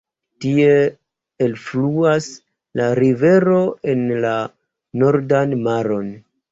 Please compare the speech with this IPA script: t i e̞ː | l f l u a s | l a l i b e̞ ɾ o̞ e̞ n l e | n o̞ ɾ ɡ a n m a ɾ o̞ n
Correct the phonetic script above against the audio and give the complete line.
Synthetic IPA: t i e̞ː | l f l u a s | l a ɾ i v e̞ ɾ o̞ e̞ n l a | n o̞ ɾ d a n m a ɾ o̞ n